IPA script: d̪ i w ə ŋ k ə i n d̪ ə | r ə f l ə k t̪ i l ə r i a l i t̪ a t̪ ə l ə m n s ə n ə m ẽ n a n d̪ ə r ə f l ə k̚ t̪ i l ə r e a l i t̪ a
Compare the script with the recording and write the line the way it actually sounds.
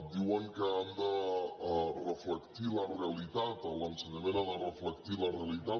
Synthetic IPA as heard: d̪ i w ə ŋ k ə a n d̪ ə | r ə f l ə k t̪ i l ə r e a l i t̪ a t̪ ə l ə n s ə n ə m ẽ n a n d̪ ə r ə f l ə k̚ t̪ i l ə r e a l i t̪ a